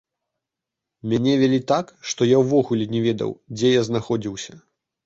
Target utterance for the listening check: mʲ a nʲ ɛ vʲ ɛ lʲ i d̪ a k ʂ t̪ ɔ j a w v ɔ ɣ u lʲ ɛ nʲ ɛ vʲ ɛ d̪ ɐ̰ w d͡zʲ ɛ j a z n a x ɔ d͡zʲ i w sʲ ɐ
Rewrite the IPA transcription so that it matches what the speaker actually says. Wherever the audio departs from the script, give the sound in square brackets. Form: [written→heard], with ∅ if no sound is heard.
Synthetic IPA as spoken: mʲ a nʲ ɛ vʲ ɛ lʲ i [d̪→t̪] a k ʂ t̪ ɔ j a w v ɔ ɣ u lʲ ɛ nʲ ɛ vʲ ɛ d̪ ɐ̰ w d͡zʲ ɛ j a z n a x ɔ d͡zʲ i w sʲ ɐ

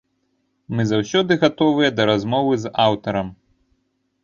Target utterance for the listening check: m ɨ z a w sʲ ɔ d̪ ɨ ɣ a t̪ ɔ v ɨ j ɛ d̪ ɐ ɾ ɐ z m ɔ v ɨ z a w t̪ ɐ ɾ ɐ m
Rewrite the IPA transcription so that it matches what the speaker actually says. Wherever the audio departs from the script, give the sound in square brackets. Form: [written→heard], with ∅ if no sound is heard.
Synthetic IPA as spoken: m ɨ z a w sʲ ɔ d̪ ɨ ɣ a t̪ ɔ v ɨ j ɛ d̪ ɐ ɾ [ɐ→a] z m ɔ v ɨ z a w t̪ ɐ ɾ ɐ m

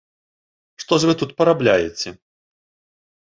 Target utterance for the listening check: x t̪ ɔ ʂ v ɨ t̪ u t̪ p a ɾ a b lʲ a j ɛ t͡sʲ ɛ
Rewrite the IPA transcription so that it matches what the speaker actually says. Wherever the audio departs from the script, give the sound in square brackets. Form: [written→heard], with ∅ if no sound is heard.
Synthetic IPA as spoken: [x→ʂ] t̪ ɔ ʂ v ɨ t̪ u t̪ p [a→ɐ] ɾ a b lʲ a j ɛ t͡sʲ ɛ

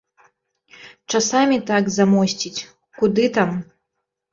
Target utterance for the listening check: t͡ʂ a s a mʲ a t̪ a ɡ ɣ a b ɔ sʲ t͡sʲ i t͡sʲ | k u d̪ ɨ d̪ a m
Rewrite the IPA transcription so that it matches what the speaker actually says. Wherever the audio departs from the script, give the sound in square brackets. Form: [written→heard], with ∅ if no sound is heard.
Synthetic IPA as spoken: t͡ʂ a s a mʲ [a→i] t̪ a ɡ [ɣ→z] a [b→m] ɔ sʲ t͡sʲ i t͡sʲ | k u d̪ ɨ [d̪→t̪] a m

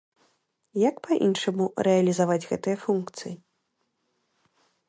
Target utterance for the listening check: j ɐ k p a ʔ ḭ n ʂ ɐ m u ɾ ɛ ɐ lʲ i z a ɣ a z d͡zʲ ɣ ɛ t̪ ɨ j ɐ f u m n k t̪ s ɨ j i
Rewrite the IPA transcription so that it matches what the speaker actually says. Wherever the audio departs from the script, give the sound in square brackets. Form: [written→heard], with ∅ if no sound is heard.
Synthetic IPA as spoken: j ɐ k p a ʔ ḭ n ʂ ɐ m u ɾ ɛ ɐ lʲ i z a [ɣ→v] a [z→∅] d͡zʲ ɣ ɛ t̪ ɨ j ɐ f u [m→∅] n k t̪ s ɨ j i

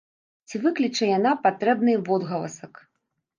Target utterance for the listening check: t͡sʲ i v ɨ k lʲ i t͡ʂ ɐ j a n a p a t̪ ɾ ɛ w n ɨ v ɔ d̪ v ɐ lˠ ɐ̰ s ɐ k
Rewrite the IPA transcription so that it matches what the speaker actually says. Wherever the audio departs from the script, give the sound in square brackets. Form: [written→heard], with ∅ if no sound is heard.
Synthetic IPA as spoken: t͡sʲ i v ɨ k lʲ i t͡ʂ ɐ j a n a p a t̪ ɾ ɛ [w→b] n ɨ v ɔ d̪ [v→ɣ] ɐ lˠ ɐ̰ s ɐ k

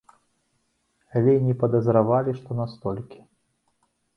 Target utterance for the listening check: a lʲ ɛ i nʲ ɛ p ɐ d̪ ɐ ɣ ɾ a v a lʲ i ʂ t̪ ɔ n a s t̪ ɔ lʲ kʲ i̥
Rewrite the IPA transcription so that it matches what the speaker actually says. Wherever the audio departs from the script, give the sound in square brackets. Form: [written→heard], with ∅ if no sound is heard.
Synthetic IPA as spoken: a lʲ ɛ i nʲ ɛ p ɐ d̪ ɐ [ɣ→z] ɾ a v a lʲ i ʂ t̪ ɔ n a s t̪ ɔ lʲ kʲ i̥

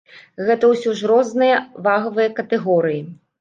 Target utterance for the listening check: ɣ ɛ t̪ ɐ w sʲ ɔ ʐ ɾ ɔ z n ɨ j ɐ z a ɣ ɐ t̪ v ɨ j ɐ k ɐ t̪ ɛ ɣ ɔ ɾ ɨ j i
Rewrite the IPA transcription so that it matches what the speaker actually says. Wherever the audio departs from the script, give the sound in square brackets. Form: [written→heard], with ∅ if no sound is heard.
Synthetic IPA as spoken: ɣ ɛ t̪ ɐ w sʲ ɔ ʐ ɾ ɔ z n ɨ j ɐ [z→v] a ɣ ɐ [t̪→∅] v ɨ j ɐ k ɐ t̪ ɛ ɣ ɔ ɾ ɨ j i

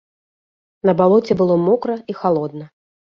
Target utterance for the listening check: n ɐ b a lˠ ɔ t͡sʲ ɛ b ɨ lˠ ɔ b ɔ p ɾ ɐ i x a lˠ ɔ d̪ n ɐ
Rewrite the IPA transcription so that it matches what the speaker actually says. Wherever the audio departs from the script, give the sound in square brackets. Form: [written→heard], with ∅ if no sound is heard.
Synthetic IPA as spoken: n ɐ b a lˠ ɔ t͡sʲ ɛ b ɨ lˠ ɔ [b→m] ɔ [p→k] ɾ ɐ i x a lˠ ɔ d̪ n ɐ

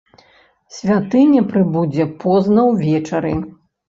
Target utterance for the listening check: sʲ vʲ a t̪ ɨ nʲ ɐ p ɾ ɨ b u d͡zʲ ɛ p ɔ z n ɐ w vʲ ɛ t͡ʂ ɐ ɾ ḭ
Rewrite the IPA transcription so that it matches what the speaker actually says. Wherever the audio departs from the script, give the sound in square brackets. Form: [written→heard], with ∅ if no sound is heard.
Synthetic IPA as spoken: sʲ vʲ a t̪ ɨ nʲ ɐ p ɾ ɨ b u d͡zʲ ɛ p ɔ z n ɐ w vʲ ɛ t͡ʂ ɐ ɾ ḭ

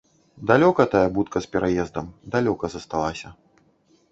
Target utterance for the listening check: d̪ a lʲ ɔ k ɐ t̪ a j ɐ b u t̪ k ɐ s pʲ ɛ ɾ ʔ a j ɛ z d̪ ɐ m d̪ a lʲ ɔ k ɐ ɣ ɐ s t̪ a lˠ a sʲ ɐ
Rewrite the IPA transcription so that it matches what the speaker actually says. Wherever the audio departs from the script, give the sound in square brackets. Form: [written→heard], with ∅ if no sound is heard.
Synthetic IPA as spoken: d̪ a lʲ ɔ k ɐ t̪ a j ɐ b u t̪ k ɐ s pʲ ɛ ɾ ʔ a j ɛ z d̪ ɐ m d̪ a lʲ ɔ k ɐ [ɣ→z] ɐ s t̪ a lˠ a sʲ ɐ

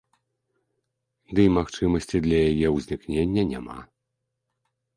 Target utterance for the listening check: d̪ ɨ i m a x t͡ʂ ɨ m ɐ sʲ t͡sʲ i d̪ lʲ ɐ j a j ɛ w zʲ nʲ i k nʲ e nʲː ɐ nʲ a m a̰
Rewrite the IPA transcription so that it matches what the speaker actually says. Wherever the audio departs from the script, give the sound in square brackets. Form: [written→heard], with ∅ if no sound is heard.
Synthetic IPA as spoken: d̪ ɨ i m a x t͡ʂ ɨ m ɐ sʲ t͡sʲ i d̪ lʲ ɐ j a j ɛ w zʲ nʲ i k nʲ e nʲː ɐ nʲ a m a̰

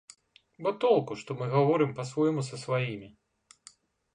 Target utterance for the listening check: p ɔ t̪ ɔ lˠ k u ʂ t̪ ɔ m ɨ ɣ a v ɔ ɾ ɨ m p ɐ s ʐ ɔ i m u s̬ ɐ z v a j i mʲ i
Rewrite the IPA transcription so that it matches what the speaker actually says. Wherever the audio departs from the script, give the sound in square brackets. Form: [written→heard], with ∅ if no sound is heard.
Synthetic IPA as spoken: [p→b] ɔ t̪ ɔ lˠ k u ʂ t̪ ɔ m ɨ ɣ a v ɔ ɾ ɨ m p ɐ s [ʐ→v] ɔ [i→j] m u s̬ ɐ [z→s] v a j i mʲ i

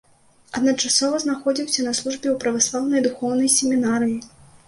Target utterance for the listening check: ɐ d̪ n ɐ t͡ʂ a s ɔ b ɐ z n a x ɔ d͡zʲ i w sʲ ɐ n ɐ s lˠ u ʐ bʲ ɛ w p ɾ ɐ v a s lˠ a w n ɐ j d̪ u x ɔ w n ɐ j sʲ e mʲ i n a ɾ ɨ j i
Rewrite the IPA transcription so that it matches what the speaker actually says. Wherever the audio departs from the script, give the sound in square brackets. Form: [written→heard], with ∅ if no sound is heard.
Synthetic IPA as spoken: ɐ d̪ n ɐ t͡ʂ a s ɔ [b→v] ɐ z n a x ɔ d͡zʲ i w sʲ ɐ n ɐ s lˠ u ʐ bʲ ɛ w p ɾ ɐ v a s lˠ a w n ɐ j d̪ u x ɔ w n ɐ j sʲ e mʲ i n a ɾ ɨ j i

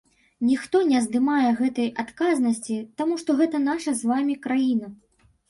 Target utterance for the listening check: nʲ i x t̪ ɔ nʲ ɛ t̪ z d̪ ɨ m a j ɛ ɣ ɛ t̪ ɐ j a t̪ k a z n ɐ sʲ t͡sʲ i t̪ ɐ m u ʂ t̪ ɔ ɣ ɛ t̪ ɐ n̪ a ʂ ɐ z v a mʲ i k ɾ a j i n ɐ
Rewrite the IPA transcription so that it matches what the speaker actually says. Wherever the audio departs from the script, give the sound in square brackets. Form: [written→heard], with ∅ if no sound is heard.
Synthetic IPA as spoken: nʲ i x t̪ ɔ nʲ ɛ [t̪→∅] z d̪ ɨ m a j ɛ ɣ ɛ t̪ ɐ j a t̪ k a z n ɐ sʲ t͡sʲ i t̪ [ɐ→a] m u ʂ t̪ ɔ ɣ ɛ t̪ ɐ n̪ a ʂ ɐ z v a mʲ i k ɾ a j i n ɐ

